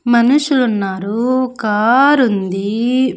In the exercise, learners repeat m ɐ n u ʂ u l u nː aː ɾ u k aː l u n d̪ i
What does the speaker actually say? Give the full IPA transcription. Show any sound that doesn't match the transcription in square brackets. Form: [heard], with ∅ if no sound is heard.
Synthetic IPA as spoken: m ɐ n u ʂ u l u nː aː ɾ u k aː [ɾ] u n d̪ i